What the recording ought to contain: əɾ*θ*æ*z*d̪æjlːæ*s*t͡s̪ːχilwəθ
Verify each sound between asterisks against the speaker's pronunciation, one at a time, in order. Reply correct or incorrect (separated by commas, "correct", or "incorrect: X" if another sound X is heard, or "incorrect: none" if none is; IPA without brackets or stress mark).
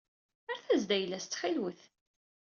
correct, correct, correct